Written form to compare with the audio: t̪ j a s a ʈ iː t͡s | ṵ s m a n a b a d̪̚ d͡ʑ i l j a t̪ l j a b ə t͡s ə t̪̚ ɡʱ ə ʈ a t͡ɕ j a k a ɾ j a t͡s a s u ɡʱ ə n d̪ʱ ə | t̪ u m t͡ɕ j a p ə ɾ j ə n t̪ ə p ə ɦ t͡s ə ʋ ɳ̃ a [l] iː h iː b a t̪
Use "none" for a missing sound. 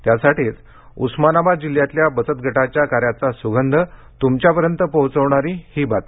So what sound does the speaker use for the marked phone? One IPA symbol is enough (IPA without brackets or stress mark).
ɾ